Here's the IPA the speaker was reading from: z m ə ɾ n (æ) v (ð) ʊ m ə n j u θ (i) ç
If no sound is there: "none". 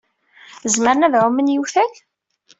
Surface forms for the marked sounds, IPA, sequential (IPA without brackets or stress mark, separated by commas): æ, ʕ, æ